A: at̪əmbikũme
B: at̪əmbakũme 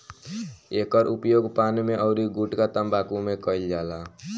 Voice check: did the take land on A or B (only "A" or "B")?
B